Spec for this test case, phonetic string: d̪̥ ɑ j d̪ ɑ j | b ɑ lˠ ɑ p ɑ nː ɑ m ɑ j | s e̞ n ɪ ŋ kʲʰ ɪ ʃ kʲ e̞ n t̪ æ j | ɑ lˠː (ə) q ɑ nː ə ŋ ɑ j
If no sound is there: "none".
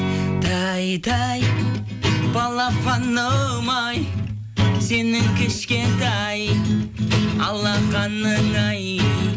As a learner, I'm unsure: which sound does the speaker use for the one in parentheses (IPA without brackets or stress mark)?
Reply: ɑ